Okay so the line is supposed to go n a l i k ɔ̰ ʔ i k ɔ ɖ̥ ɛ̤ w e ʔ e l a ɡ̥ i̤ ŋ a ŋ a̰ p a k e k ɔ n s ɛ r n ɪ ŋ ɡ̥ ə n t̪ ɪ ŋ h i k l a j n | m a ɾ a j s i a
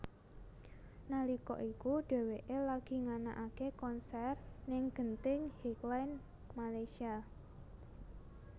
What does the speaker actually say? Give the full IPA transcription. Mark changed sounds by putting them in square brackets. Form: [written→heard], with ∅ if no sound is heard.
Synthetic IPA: n a l i k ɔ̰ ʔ i k [ɔ→u] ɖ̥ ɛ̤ w e ʔ e l a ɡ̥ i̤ ŋ a [ŋ→n] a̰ [p→ʔ] a k e k ɔ n s ɛ r n ɪ ŋ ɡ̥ ə n t̪ ɪ ŋ h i k l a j n | m a [ɾ→l] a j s i a